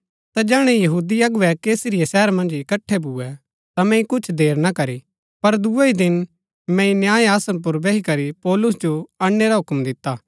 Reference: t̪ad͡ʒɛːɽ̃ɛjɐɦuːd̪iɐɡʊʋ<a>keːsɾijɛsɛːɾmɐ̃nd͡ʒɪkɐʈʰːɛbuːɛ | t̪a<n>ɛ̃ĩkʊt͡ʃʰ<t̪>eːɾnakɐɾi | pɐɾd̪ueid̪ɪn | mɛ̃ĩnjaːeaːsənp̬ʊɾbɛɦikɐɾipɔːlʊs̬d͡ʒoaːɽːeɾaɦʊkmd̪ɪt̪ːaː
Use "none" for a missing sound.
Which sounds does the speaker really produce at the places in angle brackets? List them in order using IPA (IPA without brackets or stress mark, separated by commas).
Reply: ɛ, m, d̪